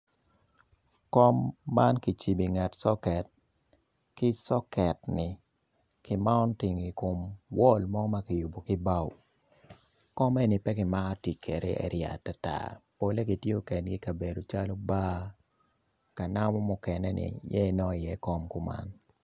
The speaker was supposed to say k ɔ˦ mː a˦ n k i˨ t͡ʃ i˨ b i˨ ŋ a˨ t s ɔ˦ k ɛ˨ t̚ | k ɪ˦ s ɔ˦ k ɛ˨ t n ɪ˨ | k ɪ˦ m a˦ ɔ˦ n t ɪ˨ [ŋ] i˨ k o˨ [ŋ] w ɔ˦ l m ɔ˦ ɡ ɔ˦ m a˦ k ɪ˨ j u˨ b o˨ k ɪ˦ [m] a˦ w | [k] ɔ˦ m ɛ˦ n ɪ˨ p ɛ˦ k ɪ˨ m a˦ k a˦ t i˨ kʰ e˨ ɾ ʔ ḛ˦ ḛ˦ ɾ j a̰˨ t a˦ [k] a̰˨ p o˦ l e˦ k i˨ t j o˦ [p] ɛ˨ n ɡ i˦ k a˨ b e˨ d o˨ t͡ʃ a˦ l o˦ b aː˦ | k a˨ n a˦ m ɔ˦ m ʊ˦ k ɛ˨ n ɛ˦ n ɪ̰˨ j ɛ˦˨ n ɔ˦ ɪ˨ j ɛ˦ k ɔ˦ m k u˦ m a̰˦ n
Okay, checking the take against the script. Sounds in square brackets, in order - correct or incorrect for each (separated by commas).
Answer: correct, incorrect, incorrect, correct, incorrect, incorrect